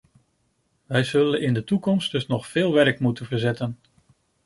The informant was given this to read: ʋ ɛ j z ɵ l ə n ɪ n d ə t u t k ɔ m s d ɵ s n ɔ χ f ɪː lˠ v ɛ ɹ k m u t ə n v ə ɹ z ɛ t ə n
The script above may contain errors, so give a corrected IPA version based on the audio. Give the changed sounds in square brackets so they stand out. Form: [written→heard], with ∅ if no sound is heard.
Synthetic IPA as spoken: ʋ ɛ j z ɵ l ə n ɪ n d ə t u [t→∅] k ɔ m s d ɵ s n ɔ χ f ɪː lˠ [v→ʋ] ɛ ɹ k m u t ə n v ə ɹ z ɛ t ə n